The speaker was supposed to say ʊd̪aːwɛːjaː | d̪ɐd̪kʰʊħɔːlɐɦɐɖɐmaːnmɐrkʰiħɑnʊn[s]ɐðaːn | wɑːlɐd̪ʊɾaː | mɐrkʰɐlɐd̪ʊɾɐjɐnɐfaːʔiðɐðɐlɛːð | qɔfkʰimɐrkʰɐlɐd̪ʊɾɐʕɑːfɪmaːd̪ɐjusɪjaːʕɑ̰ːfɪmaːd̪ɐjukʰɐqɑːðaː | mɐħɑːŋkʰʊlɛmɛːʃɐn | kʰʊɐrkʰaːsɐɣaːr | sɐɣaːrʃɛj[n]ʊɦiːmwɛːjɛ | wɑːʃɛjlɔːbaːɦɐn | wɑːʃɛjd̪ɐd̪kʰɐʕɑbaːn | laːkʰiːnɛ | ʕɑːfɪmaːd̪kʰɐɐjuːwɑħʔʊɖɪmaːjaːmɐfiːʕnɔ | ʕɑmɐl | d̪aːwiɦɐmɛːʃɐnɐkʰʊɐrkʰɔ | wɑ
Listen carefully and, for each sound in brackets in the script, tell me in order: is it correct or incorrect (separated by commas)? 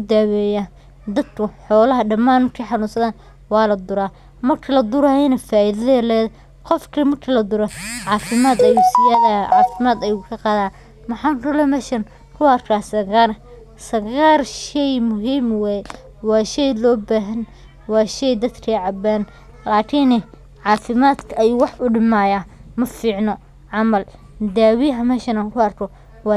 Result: correct, incorrect